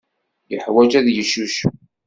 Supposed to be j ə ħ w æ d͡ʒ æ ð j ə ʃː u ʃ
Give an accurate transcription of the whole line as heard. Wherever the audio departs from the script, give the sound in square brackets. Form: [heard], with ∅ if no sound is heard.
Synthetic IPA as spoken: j ə ħ w æ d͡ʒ æ ð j ə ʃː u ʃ